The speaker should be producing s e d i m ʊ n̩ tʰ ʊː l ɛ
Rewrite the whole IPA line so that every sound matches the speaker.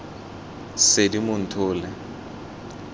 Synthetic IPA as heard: s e d i m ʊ n̩ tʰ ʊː l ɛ